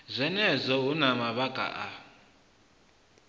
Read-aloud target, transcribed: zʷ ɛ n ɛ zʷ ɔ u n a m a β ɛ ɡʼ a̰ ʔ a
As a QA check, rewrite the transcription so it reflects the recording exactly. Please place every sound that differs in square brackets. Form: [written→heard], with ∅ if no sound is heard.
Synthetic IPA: zʷ ɛ n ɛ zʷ ɔ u n a m a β [ɛ→a] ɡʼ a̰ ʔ a